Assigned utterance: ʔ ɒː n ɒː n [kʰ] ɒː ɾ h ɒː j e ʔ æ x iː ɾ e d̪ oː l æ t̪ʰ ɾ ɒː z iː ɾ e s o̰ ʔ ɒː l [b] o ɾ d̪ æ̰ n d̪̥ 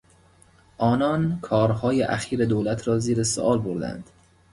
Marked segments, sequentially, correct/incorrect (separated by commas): correct, correct